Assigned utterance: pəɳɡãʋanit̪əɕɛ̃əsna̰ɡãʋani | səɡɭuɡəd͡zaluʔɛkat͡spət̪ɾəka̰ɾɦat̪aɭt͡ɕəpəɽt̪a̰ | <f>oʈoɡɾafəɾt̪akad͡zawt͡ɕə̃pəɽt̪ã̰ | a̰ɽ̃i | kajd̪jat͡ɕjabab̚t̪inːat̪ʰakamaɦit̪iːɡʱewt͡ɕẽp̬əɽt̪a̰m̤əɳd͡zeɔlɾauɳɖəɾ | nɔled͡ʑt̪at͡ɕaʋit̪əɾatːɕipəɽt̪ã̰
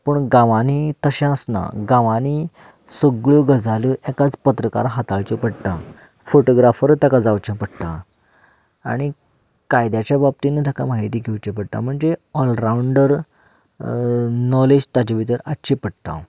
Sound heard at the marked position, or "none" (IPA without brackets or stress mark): f